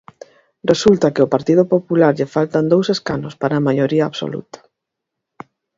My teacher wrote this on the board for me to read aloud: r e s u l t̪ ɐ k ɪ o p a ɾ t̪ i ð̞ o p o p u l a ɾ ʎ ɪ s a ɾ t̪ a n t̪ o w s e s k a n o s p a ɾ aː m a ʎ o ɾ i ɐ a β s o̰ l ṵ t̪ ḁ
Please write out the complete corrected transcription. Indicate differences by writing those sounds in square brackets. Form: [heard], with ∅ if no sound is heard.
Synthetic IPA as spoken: r e s u l t̪ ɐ k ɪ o p a ɾ t̪ i ð̞ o p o p u l a ɾ ʎ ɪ [f] a [l] t̪ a n [d̪] o w s e s k a n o s p a ɾ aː m a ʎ o ɾ i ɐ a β s o̰ l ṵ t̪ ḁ

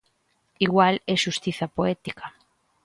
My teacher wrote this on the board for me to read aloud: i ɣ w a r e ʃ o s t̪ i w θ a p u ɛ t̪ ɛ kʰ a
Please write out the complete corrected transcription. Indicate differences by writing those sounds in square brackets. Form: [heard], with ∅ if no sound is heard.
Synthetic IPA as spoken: i ɣ w a [l] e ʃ [u] s t̪ i [∅] θ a p [o] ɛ t̪ [i] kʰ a

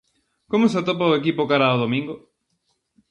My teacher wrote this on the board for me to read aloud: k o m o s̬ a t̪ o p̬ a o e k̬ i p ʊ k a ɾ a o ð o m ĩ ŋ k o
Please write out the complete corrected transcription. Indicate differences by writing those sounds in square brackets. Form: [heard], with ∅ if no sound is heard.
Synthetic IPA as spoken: k o m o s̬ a t̪ o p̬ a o e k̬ i p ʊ k a ɾ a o ð o m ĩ ŋ [ɡ] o

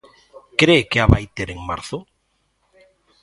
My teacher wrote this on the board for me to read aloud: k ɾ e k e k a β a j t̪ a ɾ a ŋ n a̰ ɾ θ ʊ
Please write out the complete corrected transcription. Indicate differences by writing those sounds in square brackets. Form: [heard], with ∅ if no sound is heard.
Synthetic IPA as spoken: k ɾ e k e [∅] a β a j t̪ [e] ɾ [e] ŋ [m] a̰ ɾ θ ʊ

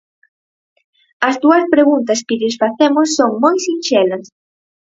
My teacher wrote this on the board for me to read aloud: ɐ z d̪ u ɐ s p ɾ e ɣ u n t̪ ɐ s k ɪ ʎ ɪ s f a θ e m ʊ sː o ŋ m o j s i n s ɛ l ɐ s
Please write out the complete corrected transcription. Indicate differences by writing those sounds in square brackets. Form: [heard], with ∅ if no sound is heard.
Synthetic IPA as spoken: ɐ z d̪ u ɐ s p ɾ e ɣ u n t̪ ɐ s k ɪ ʎ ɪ s f a θ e m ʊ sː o ŋ m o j s i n [ʃ] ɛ l ɐ s

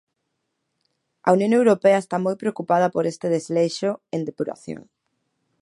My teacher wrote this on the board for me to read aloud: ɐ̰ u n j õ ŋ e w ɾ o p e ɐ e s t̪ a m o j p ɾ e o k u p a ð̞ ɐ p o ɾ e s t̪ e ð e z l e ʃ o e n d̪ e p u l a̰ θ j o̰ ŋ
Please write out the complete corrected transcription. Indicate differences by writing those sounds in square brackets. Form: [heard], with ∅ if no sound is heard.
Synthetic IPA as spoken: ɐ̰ u n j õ ŋ e w ɾ o p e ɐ e s t̪ a m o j p ɾ e o k u p a ð̞ ɐ p o ɾ e s t̪ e ð e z l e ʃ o e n d̪ e p u [ɾ] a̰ θ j o̰ ŋ

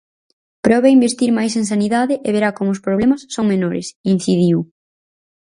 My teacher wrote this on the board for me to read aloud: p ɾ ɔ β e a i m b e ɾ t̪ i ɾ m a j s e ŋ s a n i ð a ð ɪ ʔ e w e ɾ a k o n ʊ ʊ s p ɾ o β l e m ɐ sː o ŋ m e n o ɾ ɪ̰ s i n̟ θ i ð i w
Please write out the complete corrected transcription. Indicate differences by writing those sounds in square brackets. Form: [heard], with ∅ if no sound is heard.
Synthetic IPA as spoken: p ɾ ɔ β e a i m b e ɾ t̪ i ɾ m a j s e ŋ s a n i ð a ð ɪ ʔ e [β] e ɾ a k o [m] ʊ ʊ s p ɾ o β l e m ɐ sː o ŋ m e n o ɾ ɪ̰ s i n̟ θ i ð i w

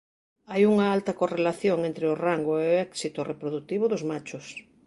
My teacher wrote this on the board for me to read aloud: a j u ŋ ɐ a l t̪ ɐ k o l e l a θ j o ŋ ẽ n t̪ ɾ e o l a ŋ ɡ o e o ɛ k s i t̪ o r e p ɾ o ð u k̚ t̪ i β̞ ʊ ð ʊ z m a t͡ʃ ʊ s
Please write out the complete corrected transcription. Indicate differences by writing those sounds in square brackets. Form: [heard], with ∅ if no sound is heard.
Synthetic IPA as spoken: a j u ŋ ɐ a l t̪ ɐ k o [r] e l a θ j o ŋ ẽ n t̪ ɾ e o [r] a ŋ ɡ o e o ɛ k s i t̪ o r e p ɾ o ð u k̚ t̪ i β̞ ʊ ð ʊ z m a t͡ʃ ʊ s

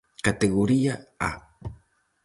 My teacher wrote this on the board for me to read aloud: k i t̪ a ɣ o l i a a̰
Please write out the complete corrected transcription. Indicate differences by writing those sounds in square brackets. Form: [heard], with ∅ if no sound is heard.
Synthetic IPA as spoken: k [a] t̪ [e] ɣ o [ɾ] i a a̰

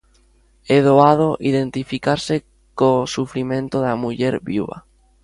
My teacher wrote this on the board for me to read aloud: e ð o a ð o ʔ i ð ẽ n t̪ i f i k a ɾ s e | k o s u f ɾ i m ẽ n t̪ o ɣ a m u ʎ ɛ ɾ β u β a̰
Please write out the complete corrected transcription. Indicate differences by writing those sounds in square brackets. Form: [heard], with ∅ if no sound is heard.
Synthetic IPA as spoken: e ð o a ð o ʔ i ð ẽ n t̪ i f i k a ɾ s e | k o s u f ɾ i m ẽ n t̪ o [ð] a m u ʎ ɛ ɾ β u β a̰

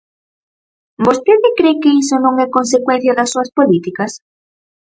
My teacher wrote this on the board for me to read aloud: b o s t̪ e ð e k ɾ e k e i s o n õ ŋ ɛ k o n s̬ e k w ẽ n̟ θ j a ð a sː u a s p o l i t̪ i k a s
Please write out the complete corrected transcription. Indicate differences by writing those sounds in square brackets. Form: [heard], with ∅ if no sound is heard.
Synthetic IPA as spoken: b o s t̪ e ð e k ɾ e k e i s o n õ ŋ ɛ k o n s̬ e k w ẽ n̟ θ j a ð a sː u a s p o l i t̪ i k a s

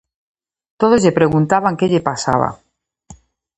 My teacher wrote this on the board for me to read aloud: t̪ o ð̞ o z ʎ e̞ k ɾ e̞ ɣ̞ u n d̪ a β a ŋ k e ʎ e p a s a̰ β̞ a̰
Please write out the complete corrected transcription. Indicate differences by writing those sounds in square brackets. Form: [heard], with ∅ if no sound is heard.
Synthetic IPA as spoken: t̪ o ð̞ o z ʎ e̞ [p] ɾ e̞ ɣ̞ u n [t̪] a β a ŋ k e ʎ e p a s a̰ β̞ a̰

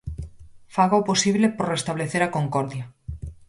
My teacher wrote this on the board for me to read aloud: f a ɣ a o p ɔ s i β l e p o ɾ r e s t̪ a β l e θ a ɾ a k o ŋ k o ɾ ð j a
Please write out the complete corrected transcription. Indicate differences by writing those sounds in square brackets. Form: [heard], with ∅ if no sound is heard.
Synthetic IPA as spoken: f a ɣ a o p [o] s i β l e p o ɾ r e s t̪ a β l e θ [e] ɾ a k o ŋ k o ɾ ð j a

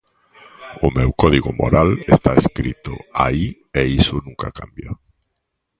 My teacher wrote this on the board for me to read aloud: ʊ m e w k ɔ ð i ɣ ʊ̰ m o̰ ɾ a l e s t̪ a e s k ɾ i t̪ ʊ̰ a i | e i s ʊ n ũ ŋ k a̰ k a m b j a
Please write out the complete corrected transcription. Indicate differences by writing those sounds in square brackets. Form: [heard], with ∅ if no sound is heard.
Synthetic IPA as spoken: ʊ m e w k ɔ ð i ɣ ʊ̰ m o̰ ɾ a l e s t̪ a e s k ɾ i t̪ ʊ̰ a i | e i s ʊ n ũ ŋ k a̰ k a m b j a

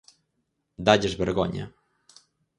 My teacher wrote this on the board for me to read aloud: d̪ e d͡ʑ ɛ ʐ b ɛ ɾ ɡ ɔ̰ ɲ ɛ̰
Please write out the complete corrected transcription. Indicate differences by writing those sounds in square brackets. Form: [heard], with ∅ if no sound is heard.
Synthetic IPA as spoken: d̪ [a] d͡ʑ ɛ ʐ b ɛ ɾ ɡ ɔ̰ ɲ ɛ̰

